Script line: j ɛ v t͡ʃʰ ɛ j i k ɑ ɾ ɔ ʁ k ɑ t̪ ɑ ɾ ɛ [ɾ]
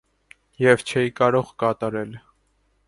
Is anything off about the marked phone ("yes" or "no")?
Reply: yes